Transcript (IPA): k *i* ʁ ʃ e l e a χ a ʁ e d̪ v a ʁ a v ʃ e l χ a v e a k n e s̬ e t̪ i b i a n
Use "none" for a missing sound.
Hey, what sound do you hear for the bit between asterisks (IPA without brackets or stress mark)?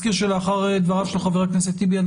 i